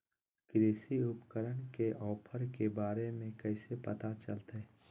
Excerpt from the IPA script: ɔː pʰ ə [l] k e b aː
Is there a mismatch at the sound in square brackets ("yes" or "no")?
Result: yes